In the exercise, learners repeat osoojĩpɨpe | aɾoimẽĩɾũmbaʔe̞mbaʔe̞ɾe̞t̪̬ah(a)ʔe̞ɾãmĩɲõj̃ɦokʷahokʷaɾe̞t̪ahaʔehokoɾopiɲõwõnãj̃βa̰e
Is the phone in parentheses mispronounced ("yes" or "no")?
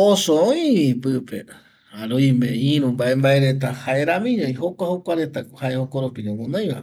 no